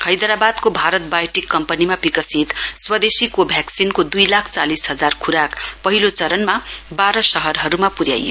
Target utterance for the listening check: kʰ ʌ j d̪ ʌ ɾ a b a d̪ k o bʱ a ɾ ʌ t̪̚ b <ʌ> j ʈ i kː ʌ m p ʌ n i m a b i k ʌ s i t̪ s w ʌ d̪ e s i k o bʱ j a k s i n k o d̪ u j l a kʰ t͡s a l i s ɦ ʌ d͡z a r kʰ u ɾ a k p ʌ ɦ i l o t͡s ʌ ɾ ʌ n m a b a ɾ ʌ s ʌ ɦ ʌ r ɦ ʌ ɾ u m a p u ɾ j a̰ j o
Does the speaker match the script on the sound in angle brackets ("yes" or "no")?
no